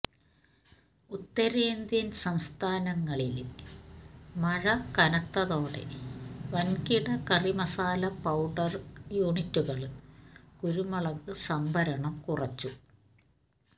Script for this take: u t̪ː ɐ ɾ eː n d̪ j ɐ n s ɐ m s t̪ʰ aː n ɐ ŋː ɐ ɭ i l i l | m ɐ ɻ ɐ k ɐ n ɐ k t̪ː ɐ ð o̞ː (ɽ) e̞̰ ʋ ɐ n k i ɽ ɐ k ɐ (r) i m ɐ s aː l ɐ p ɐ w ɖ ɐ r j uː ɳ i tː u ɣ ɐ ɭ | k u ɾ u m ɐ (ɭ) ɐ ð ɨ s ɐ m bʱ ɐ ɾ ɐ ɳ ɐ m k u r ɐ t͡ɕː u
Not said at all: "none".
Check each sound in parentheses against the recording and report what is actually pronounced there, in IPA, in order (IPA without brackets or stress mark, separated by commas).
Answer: ɽ, r, ɭ